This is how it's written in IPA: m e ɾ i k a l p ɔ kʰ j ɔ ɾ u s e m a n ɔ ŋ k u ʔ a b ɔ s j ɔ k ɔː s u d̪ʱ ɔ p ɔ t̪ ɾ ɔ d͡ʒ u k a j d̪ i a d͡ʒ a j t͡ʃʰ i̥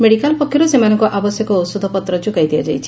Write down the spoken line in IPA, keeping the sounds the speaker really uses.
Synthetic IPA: m e ɽ i k a l p ɔ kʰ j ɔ ɾ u s e m a n ɔ ŋ k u ʔ a b ɔ s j ɔ k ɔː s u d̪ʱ ɔ p ɔ t̪ ɾ ɔ d͡ʒ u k a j d̪ i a d͡ʒ a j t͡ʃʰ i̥